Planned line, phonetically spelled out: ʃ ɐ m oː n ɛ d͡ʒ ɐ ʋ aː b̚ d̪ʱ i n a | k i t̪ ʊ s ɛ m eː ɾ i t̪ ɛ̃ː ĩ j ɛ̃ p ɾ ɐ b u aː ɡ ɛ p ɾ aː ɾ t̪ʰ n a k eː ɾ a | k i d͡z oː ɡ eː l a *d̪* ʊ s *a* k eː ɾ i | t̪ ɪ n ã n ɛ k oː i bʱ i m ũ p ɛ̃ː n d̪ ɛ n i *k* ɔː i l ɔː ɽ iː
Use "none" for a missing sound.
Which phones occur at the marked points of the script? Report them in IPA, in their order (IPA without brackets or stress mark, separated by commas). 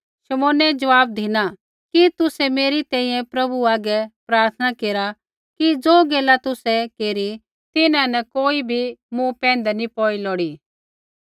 t̪, ɛ, p